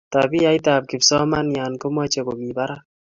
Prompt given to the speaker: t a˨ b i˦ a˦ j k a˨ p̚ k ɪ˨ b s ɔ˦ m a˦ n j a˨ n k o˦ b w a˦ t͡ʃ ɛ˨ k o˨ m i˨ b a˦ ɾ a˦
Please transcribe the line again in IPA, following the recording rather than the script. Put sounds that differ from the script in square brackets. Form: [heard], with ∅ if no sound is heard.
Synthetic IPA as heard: t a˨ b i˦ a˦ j [t] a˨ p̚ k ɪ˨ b s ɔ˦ m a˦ n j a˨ n k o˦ [m] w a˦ t͡ʃ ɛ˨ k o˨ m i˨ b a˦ ɾ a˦

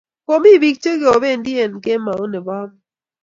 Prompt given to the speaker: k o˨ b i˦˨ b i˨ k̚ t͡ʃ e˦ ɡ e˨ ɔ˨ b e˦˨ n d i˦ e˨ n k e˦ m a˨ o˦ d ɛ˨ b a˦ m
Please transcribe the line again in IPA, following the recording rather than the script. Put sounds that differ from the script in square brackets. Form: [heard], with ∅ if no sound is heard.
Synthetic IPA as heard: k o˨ [m] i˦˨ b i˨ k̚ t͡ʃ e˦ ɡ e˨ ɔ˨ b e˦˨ n d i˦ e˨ n k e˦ m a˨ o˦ [n] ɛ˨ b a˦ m

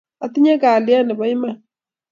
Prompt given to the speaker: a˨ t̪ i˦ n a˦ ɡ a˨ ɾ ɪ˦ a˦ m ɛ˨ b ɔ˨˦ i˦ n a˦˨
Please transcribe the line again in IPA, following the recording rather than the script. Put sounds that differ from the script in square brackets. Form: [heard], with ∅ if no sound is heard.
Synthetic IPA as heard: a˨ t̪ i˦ [ɲ] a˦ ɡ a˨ [l] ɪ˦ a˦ [n] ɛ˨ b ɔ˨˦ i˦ [m] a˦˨

